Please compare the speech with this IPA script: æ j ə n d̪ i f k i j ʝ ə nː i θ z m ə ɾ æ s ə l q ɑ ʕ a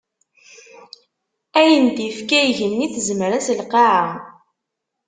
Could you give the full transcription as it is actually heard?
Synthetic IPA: æ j ə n d̪ i f k æ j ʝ ə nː i θ z m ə ɾ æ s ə l q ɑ ʕ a